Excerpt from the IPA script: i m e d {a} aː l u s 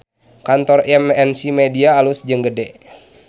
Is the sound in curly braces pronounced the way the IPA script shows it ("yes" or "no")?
no